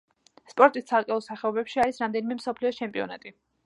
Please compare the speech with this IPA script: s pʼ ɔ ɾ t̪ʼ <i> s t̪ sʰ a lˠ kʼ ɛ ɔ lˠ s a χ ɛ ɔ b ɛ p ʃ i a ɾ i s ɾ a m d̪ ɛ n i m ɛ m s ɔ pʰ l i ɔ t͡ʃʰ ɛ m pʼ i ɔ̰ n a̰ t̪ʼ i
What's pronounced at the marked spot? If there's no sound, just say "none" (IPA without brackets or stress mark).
i